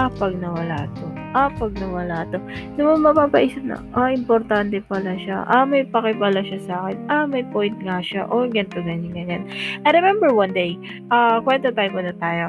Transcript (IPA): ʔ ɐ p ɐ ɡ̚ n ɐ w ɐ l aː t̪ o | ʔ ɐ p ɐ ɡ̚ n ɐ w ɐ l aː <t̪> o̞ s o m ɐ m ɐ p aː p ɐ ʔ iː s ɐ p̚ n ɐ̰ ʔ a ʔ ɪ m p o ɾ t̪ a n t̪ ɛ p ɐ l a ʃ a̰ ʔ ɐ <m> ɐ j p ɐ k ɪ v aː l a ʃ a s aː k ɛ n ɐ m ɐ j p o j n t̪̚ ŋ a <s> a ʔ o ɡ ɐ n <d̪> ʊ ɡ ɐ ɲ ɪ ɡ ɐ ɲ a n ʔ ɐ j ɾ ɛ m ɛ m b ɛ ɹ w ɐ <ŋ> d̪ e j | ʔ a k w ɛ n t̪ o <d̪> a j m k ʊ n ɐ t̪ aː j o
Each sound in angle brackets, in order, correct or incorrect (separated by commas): correct, correct, incorrect, incorrect, incorrect, incorrect